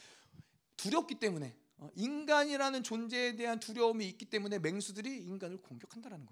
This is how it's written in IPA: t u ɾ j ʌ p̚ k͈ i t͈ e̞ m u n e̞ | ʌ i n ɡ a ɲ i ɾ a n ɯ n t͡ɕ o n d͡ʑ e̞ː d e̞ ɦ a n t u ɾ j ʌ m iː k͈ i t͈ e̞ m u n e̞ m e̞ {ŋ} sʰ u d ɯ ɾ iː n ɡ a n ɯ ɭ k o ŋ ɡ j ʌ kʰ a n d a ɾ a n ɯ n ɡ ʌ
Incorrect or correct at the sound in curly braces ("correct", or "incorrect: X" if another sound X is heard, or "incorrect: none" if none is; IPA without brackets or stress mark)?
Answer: correct